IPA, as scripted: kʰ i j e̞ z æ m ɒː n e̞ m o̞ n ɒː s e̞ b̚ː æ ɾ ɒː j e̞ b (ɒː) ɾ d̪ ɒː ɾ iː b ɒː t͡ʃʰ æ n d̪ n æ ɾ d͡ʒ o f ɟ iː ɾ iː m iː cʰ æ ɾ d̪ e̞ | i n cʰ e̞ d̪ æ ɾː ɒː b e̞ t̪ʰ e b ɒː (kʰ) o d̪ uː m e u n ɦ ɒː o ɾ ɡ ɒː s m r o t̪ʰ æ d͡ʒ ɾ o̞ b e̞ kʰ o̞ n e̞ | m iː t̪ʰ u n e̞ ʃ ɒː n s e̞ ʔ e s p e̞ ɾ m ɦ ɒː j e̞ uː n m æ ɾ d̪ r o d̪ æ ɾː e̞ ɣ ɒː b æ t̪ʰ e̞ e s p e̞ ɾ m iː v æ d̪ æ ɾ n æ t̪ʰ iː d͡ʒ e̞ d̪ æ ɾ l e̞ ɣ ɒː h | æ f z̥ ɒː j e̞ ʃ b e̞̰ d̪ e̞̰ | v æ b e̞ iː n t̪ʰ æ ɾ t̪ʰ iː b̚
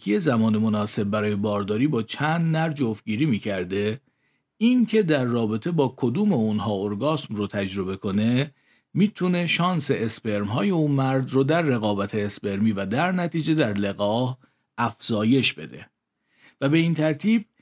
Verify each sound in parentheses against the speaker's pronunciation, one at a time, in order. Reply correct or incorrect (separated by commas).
correct, correct